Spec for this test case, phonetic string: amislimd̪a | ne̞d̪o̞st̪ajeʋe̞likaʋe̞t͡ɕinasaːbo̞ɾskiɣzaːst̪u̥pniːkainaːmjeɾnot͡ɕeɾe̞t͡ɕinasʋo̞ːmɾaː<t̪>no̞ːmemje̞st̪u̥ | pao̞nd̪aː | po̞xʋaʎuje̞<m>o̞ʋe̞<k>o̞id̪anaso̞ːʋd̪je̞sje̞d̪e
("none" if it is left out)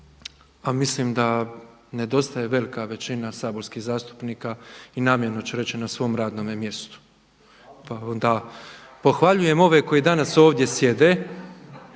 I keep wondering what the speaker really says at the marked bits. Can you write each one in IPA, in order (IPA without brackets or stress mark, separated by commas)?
d̪, m, k